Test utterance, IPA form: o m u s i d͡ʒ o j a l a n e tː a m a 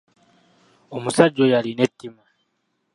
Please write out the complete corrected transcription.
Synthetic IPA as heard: o m u s a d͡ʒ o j a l i n e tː i m a